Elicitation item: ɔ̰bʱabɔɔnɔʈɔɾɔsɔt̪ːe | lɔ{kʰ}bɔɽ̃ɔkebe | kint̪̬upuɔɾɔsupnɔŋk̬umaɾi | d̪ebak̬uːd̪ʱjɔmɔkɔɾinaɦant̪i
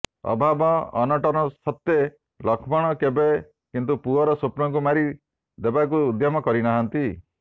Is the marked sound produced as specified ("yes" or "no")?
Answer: yes